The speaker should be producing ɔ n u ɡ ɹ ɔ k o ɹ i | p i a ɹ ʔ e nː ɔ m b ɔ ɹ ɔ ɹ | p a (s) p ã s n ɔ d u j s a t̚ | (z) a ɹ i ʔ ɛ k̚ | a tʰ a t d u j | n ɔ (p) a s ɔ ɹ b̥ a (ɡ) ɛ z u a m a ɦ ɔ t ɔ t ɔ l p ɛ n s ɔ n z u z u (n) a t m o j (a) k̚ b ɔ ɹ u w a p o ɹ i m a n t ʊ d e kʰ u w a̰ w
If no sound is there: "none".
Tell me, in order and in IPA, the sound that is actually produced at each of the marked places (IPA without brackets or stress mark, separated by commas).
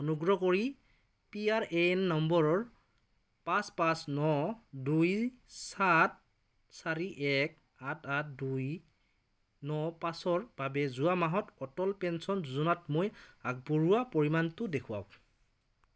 s, s, p, b, n, a